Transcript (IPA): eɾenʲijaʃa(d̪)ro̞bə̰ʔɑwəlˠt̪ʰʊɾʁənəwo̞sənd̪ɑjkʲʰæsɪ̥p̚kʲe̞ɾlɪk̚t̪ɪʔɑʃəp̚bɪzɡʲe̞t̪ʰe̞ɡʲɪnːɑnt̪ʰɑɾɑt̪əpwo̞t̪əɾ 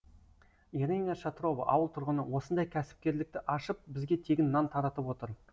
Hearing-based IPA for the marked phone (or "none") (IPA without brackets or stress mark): t̪